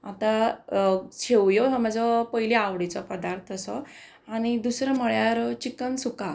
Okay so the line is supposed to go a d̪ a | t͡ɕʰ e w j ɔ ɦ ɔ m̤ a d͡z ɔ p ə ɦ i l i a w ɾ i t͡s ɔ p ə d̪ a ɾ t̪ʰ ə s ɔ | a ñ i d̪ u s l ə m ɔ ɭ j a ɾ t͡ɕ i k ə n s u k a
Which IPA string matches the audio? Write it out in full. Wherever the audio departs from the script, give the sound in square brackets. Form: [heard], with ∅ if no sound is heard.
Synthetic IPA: a [t̪] a | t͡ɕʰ e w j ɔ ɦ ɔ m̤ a d͡z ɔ p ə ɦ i l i a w [ɽ] i t͡s ɔ p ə d̪ a ɾ t̪ʰ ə s ɔ | a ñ i d̪ u s [ɾ] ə m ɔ ɭ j a ɾ t͡ɕ i k ə n s u k a